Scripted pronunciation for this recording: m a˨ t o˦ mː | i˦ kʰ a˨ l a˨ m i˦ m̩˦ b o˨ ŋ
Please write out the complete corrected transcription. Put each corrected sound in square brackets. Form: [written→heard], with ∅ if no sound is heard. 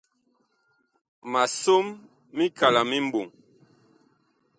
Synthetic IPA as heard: m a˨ [t→s] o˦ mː | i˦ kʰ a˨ l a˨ m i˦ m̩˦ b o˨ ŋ